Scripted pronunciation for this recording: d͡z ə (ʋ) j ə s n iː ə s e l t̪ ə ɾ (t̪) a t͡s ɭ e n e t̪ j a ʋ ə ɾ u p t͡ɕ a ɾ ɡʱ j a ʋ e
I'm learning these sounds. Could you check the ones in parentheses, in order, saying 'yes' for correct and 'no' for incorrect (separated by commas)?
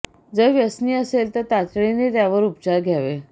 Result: yes, yes